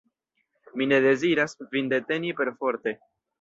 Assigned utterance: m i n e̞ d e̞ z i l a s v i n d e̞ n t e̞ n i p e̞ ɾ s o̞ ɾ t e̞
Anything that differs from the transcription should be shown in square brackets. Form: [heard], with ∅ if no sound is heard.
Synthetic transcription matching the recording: m i n e̞ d e̞ z i [ɾ] a s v i n d e̞ [∅] t e̞ n i p e̞ ɾ [f] o̞ ɾ t e̞